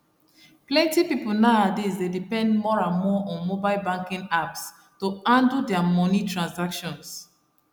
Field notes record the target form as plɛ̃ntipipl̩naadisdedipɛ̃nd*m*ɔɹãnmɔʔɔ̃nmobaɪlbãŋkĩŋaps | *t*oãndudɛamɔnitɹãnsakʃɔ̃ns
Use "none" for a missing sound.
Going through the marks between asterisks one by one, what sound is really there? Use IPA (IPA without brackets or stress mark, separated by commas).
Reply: m, t